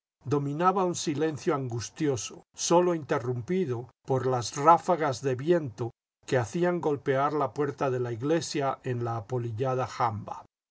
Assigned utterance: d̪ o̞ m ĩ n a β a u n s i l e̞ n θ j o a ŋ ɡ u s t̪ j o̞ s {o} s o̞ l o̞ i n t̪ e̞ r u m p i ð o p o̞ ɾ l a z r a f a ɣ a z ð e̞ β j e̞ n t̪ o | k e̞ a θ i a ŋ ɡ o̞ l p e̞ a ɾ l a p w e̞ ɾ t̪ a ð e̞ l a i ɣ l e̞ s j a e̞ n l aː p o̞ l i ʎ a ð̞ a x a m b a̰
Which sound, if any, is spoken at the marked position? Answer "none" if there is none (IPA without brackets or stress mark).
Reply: o